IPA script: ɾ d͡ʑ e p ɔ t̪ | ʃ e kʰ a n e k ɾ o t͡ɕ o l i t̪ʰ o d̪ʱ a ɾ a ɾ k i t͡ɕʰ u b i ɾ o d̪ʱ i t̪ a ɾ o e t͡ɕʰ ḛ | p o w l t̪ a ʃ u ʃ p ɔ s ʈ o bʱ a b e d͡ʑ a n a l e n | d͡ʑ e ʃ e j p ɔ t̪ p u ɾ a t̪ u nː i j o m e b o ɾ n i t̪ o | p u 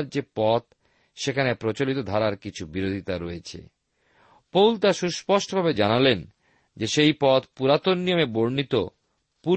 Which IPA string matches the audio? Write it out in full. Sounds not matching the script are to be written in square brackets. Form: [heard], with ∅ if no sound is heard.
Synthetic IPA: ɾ d͡ʑ e p ɔ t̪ | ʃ e kʰ a n e [p] ɾ o t͡ɕ o l i [t̪] o d̪ʱ a ɾ a ɾ k i t͡ɕʰ u b i ɾ o d̪ʱ i t̪ a ɾ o e t͡ɕʰ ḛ | p o w l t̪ a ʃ u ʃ p ɔ [ʃ] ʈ o bʱ a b e d͡ʑ a n a l e n | d͡ʑ e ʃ e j p ɔ t̪ p u ɾ a t̪ [o] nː i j o m e b o ɾ n i t̪ o | p u